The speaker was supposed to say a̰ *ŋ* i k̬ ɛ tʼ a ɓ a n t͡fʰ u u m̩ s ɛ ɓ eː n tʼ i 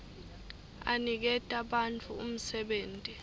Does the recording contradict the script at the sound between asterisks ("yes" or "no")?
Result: yes